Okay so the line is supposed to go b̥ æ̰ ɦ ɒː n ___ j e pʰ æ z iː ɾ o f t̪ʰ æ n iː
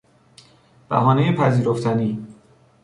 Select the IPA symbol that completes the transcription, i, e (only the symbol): e